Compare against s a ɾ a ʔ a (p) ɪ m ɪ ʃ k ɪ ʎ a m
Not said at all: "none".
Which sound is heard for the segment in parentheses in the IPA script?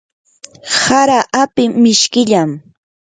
p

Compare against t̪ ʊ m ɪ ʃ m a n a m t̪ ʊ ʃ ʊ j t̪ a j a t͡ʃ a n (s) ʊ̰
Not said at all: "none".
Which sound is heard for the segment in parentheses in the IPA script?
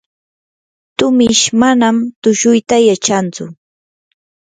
t͡s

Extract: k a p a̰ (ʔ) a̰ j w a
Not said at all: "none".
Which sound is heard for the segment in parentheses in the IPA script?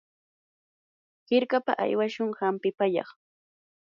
ʔ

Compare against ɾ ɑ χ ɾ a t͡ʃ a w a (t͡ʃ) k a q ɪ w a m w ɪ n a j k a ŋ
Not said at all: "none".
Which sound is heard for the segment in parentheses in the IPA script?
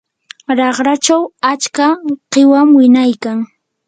t͡ʃ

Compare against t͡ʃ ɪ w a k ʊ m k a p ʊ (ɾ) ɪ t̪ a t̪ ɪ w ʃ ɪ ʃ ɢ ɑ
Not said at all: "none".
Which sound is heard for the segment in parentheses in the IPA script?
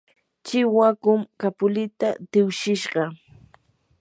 l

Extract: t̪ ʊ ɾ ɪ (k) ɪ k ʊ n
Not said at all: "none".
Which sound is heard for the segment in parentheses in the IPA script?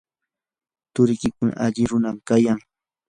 k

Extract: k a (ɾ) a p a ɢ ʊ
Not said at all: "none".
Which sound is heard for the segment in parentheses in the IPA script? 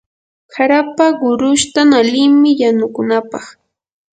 ɾ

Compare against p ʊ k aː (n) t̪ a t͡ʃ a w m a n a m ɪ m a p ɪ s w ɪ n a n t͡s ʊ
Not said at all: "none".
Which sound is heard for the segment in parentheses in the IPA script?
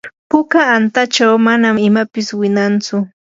n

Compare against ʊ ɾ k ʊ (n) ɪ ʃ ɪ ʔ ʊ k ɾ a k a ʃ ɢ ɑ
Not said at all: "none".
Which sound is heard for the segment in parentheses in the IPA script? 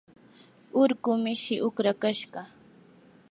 m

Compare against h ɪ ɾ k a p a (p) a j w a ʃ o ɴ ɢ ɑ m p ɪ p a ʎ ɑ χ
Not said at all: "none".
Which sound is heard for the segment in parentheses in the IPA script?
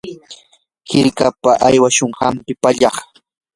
ʔ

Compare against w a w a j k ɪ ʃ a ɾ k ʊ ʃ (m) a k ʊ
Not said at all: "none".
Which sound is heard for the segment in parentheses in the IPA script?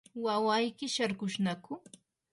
n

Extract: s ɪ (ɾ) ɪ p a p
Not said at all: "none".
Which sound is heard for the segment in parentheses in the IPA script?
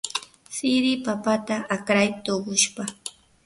ɾ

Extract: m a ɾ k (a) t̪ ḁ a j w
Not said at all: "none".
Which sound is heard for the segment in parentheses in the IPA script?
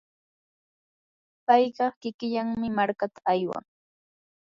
a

